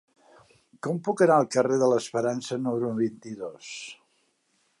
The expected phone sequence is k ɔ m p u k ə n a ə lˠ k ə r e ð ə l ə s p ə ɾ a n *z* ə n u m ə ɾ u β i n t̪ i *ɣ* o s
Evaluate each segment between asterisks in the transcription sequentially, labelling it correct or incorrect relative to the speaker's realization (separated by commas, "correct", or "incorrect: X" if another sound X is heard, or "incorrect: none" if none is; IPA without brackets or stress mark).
incorrect: s, incorrect: ð